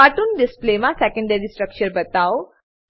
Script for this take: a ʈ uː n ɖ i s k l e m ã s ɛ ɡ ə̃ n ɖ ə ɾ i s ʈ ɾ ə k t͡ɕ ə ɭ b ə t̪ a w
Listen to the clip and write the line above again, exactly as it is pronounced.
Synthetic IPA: a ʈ uː n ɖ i s p l e m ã s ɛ k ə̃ ɳ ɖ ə ɾ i s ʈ ɾ ə k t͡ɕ ə ɾ b ə t̪ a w

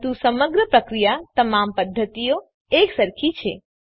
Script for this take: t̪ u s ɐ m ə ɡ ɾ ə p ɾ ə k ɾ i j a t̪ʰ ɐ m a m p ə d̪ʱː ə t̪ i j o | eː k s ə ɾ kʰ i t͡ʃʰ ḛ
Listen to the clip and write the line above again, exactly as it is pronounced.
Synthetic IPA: t̪ u s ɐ m ə ɡ ɾ ə p ɾ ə k ɾ i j a t̪ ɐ m a m p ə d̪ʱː ə t̪ i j o | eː k s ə ɾ kʰ i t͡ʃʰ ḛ

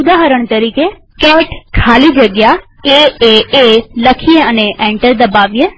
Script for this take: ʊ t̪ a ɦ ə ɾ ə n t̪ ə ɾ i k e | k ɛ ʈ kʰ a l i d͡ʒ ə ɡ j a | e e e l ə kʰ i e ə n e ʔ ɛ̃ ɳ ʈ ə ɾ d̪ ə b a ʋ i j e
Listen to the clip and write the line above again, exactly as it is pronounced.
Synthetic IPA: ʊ d̪ a ɦ ə ɾ ə ɳ t̪ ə ɾ i k e | k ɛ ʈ kʰ a l i d͡ʒ ə ɡ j a | e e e l ə kʰ i e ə n e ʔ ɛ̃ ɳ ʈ ə ɾ d̪ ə b a ʋ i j e

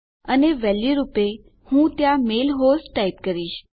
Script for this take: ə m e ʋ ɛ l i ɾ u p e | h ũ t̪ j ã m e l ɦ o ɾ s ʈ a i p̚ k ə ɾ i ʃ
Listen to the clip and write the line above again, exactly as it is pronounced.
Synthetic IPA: ə n e ʋ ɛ l i ɾ u p e | h ũ t̪ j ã m e l ɦ o s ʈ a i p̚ k ə ɾ i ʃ

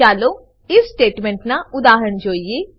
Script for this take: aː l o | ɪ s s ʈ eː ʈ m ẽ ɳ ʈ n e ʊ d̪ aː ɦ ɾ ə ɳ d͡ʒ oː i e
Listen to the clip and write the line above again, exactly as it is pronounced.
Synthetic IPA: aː l o | ɪ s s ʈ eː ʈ m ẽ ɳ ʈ n a ʊ d̪ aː ɦ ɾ ə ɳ d͡ʒ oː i e

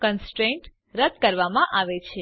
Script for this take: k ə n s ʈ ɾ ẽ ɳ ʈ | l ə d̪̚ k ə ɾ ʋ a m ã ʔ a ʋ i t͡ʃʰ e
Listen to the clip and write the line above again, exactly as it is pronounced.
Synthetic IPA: k ə n s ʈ ɾ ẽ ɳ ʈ | ɾ ə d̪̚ k ə ɾ ʋ a m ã ʔ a ʋ e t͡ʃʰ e

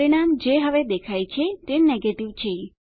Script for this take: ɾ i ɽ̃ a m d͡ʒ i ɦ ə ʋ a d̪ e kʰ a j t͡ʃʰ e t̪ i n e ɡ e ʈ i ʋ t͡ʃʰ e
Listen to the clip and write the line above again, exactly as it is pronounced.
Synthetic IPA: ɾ i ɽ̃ a m d͡ʒ e ɦ ə ʋ e d̪ e kʰ a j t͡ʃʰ e t̪ e n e ɡ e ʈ i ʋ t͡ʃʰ e

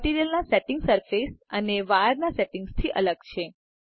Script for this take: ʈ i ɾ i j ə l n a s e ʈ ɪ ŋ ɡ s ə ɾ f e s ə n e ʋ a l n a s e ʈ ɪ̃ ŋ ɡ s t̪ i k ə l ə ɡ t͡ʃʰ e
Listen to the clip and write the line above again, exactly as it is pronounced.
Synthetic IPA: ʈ i ɾ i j ə l n a s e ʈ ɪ ŋ ɡ s ə ɾ f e s ə n e ʋ a ɾ n a s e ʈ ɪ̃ ŋ ɡ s t̪ʰ i ʔ ə l ə ɡ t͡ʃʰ e

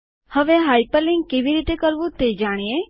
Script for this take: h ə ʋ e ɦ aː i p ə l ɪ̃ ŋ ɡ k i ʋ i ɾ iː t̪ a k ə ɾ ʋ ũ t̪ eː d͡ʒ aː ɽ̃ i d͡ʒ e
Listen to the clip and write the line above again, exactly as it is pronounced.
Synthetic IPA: h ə ʋ e ɦ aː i p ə l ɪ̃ ŋ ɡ k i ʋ i ɾ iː t̪ e k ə ɾ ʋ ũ t̪ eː d͡ʒ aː ɽ̃ i e

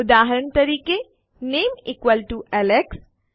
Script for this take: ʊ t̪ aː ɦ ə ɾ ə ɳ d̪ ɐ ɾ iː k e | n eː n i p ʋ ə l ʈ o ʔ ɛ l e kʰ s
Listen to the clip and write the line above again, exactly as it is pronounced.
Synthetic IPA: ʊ d̪ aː ɦ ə ɾ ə ɳ t̪ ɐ ɾ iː k e | n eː m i k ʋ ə l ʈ u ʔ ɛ l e k s

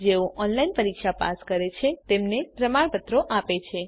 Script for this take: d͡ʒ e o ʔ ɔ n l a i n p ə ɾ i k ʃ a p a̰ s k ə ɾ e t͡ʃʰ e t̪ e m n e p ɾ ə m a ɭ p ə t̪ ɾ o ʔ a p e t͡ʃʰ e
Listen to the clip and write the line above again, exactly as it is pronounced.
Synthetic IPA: d͡ʒ e o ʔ ɔ n l a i n p ə ɾ i k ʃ a p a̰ s k ə ɾ e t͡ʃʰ e t̪ e m n e p ɾ ə m a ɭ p ə t̪ ɾ o ʔ a p e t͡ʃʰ e

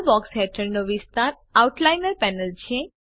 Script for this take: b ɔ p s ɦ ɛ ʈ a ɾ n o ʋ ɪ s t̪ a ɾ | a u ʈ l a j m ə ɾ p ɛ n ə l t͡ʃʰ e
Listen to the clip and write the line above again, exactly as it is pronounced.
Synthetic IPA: b ɔ k s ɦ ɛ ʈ ə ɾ n o ʋ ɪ s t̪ a ɾ | a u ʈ l a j n ə ɾ p ɛ n ə l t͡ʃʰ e

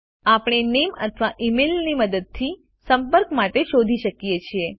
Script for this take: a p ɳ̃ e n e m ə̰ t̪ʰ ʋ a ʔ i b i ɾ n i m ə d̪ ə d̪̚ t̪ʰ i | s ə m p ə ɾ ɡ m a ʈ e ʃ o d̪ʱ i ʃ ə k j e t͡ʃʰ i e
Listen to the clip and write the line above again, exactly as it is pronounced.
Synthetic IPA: a p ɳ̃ e n e m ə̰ t̪ʰ ʋ a ʔ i m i l n i m ə d̪ ə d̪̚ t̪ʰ i | s ə m p ə ɾ k m a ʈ e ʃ o d̪ʱ i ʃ ə k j e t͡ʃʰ i e

